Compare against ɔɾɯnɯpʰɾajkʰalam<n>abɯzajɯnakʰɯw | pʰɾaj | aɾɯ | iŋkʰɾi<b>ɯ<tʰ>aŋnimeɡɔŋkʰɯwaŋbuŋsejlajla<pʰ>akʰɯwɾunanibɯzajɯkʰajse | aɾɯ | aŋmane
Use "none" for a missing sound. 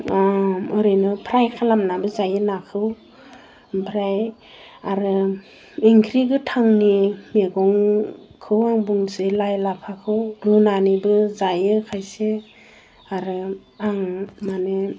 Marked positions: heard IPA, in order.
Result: n, ɡ, tʰ, pʰ

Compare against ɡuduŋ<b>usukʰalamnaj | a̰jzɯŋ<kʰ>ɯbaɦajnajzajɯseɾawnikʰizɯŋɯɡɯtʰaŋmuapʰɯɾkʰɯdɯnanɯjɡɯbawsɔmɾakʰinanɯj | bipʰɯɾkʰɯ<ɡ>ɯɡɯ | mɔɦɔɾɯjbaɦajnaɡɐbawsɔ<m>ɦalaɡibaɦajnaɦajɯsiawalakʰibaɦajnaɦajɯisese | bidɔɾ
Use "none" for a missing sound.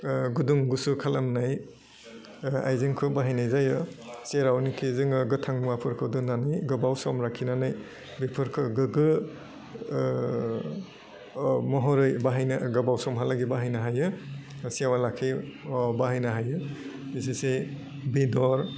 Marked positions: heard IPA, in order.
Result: ɡ, kʰ, ɡ, m

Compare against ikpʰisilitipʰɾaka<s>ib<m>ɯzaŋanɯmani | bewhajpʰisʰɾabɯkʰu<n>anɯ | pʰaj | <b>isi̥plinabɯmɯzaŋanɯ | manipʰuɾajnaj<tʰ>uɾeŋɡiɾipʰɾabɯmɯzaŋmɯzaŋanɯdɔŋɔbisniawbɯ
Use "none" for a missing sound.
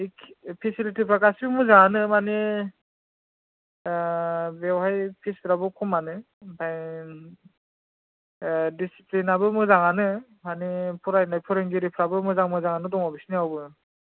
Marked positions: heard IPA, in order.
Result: s, m, m, d, pʰ

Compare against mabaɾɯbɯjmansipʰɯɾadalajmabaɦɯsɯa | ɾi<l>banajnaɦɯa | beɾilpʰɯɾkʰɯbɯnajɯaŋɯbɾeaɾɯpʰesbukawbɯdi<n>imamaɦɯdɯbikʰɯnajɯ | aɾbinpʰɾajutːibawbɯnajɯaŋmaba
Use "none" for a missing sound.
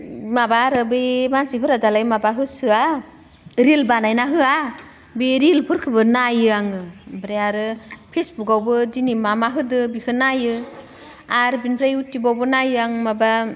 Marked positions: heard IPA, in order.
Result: l, n

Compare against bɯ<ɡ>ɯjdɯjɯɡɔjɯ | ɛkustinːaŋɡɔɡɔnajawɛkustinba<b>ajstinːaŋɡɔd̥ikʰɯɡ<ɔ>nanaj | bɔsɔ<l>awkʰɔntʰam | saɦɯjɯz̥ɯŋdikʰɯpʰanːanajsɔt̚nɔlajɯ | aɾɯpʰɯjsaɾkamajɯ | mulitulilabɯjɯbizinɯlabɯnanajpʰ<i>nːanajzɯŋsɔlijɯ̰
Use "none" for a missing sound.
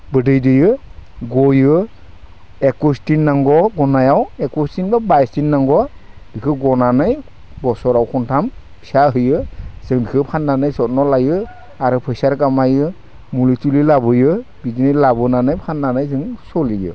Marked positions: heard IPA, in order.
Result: d, b, ɔ, ɾ, a

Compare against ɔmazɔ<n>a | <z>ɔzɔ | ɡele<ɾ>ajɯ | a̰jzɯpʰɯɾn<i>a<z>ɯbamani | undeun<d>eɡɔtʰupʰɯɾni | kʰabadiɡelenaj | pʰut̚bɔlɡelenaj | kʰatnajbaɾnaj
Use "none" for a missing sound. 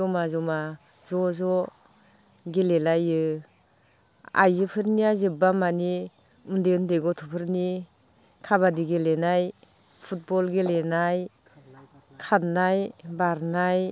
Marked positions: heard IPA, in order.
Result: m, z, l, i, z, d

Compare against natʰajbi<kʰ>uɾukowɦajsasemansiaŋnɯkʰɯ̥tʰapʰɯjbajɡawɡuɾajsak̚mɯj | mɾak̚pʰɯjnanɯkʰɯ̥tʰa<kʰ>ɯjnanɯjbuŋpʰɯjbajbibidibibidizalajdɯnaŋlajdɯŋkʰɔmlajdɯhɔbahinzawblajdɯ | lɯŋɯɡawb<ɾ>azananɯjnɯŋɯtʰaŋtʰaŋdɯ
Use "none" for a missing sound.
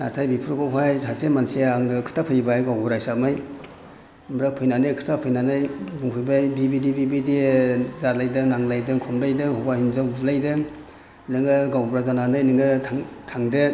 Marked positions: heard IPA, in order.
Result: pʰ, pʰ, ɾ

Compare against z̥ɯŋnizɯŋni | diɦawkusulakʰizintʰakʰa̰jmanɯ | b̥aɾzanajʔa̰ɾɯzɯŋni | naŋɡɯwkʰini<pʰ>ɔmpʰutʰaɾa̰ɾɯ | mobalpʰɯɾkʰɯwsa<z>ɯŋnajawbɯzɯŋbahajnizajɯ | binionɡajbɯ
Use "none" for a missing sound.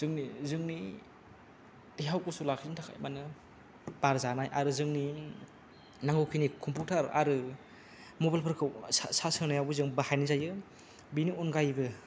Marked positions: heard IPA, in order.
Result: kʰ, s

